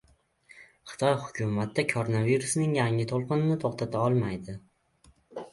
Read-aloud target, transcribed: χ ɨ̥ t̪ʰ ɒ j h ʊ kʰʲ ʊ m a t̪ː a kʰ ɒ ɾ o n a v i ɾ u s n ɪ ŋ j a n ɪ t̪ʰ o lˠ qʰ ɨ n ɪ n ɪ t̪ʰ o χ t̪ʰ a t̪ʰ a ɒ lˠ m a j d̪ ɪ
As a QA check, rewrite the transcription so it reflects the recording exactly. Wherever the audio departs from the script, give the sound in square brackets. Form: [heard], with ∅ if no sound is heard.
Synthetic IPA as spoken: χ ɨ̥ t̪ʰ ɒ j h ʊ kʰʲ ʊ m a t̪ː a kʰ [o] ɾ o n a v i ɾ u s n ɪ ŋ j a [ŋ] ɪ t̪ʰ o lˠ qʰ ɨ n ɪ n ɪ t̪ʰ o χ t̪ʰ a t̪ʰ a ɒ lˠ m a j d̪ ɪ

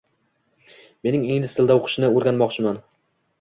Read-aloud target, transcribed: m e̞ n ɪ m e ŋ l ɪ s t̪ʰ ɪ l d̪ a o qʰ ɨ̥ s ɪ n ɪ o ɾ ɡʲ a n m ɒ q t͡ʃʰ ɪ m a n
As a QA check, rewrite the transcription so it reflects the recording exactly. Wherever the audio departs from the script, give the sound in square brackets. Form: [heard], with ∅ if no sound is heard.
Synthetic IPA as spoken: m e̞ n ɪ [ŋ] e ŋ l ɪ s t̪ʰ ɪ l d̪ a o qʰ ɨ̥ [ʃ] ɪ n ɪ o ɾ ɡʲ a n m ɒ q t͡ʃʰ ɪ m a n

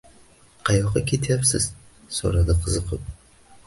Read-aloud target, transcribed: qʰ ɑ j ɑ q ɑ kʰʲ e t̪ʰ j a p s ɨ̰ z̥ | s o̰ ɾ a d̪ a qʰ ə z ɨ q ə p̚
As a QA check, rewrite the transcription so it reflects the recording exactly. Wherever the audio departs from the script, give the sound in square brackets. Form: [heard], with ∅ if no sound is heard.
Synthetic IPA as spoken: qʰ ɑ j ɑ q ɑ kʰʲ e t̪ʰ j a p s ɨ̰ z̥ | s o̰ ɾ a d̪ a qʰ ə z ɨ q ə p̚

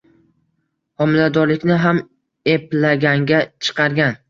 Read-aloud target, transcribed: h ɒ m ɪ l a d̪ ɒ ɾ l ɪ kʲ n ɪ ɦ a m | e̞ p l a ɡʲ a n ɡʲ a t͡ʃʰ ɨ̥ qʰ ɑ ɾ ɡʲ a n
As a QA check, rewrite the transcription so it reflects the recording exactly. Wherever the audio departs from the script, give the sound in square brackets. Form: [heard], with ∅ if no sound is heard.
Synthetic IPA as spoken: h ɒ m ɪ l a d̪ ɒ ɾ l ɪ kʲ n ɪ ɦ a m | e̞ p l a ɡʲ a [ŋ] ɡʲ a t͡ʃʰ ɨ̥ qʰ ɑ ɾ ɡʲ a n

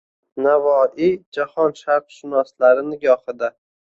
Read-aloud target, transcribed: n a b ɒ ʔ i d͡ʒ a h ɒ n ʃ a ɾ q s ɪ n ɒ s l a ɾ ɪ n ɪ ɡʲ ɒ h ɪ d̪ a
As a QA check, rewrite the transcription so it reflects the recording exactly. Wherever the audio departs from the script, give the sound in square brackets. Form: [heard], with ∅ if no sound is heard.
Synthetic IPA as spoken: n a [v] ɒ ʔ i d͡ʒ a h ɒ n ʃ a ɾ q [ʃ] ɪ n ɒ s l a ɾ ɪ n ɪ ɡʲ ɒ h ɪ d̪ a

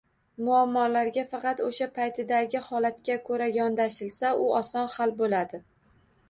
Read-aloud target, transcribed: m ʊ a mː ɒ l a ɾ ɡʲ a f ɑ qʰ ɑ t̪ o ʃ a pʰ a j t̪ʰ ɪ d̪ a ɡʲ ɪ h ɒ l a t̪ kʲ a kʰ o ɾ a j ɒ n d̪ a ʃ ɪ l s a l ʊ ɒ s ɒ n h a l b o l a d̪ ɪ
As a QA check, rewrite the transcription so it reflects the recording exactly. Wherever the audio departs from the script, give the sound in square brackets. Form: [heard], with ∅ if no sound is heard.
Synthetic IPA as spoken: m ʊ a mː ɒ l a ɾ ɡʲ a f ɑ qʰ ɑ t̪ o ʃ a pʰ a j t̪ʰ ɪ d̪ a ɡʲ ɪ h ɒ l a t̪ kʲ a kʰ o ɾ a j ɒ n d̪ a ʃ ɪ l s a [∅] ʊ ɒ s ɒ n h a l b o l a d̪ ɪ

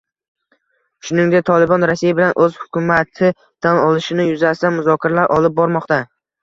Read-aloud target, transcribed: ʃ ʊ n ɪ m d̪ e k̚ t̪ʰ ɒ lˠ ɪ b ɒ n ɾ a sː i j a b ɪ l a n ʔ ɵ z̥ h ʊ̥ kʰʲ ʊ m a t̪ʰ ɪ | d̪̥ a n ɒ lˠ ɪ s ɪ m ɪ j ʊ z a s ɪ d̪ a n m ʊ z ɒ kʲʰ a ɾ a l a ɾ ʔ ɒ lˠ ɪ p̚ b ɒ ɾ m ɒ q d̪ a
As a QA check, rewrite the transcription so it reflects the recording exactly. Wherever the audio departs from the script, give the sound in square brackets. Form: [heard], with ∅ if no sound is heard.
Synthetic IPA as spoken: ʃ ʊ n ɪ [ŋ] d̪ e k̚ t̪ʰ ɒ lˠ ɪ b ɒ n ɾ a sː i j a b ɪ l a n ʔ ɵ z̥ h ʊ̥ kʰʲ ʊ m a t̪ʰ ɪ | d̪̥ a n ɒ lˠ ɪ [ʃ] ɪ [n] ɪ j ʊ z a s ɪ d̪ a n m ʊ z ɒ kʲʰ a ɾ a l a ɾ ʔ ɒ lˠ ɪ p̚ b ɒ ɾ m ɒ q [t̪] a

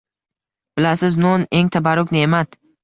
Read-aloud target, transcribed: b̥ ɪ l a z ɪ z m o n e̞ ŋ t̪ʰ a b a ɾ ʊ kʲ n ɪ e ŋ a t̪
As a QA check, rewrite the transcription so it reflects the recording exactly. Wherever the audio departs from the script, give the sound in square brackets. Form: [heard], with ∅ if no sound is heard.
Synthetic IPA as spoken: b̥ ɪ l a [s] ɪ z [n] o n e̞ ŋ t̪ʰ a b a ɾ ʊ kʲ n ɪ e [m] a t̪

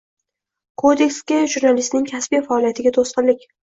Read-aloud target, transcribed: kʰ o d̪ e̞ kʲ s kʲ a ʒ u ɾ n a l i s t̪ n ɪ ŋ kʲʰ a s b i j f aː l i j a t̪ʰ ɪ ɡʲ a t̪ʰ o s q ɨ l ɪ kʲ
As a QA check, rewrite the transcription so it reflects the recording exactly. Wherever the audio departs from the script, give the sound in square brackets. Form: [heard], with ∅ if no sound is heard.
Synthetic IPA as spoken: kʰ o d̪ e̞ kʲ s kʲ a ʒ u ɾ n a l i s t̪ n ɪ ŋ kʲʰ a s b i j f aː l i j a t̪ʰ ɪ ɡʲ a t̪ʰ o s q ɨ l ɪ kʲ

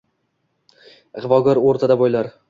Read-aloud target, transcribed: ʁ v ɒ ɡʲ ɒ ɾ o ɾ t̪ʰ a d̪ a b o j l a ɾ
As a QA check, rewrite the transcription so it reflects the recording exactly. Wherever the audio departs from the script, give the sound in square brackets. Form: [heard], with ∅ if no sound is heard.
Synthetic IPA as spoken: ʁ v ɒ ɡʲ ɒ ɾ o ɾ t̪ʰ a d̪ a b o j l a ɾ

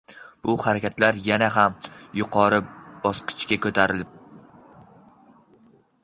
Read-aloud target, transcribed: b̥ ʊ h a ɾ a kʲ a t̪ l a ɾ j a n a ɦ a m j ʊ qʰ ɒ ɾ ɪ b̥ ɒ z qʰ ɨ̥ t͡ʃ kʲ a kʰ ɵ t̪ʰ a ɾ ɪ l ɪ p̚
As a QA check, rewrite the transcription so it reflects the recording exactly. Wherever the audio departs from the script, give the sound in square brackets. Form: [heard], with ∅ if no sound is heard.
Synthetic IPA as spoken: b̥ ʊ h a ɾ a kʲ a t̪ l a ɾ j a n a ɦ a m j ʊ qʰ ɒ ɾ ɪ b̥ ɒ [s] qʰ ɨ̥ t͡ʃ kʲ a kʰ ɵ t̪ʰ a ɾ ɪ l ɪ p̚

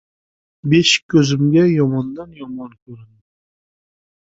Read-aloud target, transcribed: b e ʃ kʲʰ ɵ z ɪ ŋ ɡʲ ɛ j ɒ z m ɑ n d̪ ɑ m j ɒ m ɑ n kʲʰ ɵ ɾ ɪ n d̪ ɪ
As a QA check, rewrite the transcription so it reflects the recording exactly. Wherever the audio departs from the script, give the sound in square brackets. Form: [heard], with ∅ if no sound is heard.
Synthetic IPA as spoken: b e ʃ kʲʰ ɵ z ɪ [m] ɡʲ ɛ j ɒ [∅] m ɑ n d̪ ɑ [n] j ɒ m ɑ n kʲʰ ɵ ɾ ɪ n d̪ ɪ

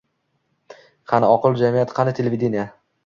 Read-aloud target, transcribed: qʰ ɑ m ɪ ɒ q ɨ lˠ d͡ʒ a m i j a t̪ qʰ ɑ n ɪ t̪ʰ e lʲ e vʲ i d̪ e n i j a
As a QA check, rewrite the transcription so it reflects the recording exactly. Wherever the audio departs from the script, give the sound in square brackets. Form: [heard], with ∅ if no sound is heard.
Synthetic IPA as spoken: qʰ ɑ [n] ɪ ɒ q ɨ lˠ d͡ʒ a m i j a t̪ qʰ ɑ n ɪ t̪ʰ e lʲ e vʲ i d̪ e n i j a

